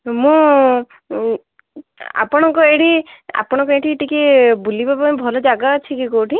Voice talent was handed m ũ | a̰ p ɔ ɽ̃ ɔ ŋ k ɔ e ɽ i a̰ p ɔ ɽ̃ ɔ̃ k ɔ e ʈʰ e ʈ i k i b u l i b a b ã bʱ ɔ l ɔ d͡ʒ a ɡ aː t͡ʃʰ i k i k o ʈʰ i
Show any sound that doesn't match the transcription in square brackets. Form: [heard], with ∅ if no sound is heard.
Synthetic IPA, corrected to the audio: m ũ | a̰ p ɔ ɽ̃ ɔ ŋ k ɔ e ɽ i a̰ p ɔ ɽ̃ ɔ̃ k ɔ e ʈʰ [i] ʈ i k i b u l i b a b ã bʱ ɔ l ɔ d͡ʒ a ɡ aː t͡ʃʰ i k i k o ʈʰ i